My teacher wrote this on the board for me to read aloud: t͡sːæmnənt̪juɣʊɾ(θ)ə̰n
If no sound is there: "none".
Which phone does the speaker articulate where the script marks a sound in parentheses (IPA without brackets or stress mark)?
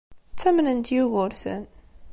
θ